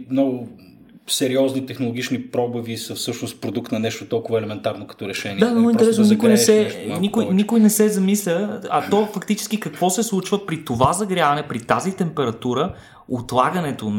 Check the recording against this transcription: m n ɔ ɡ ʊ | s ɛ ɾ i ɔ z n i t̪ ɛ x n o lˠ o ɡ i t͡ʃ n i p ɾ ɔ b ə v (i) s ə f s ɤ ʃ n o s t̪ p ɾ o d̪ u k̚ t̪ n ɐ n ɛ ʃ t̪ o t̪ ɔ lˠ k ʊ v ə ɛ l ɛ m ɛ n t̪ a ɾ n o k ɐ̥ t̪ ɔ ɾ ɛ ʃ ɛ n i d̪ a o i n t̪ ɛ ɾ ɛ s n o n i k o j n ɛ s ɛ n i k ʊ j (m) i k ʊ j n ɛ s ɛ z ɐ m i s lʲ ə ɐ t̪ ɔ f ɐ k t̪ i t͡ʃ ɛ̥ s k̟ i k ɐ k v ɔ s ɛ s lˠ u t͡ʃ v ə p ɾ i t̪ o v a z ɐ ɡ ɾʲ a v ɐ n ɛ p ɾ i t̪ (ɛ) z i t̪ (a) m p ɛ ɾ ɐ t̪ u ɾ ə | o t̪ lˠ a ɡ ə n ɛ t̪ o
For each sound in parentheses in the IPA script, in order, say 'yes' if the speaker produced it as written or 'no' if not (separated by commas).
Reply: yes, no, no, no